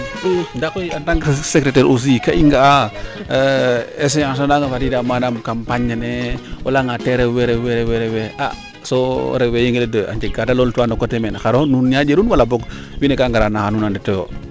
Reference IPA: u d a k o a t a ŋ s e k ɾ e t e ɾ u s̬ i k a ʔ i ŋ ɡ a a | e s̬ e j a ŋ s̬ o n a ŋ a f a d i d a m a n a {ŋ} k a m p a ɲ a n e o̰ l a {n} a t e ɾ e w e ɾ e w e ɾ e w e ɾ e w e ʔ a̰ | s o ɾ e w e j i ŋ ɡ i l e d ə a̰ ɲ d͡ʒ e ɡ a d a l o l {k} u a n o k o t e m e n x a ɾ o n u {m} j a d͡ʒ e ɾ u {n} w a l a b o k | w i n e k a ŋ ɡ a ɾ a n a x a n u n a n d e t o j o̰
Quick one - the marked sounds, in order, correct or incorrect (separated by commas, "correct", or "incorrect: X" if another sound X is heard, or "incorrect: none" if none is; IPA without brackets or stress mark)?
incorrect: m, incorrect: ŋ, incorrect: t, incorrect: n, correct